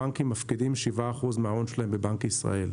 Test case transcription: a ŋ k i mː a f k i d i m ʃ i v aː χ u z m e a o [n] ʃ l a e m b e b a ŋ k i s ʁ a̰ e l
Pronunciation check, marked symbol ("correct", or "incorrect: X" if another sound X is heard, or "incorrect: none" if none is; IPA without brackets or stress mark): correct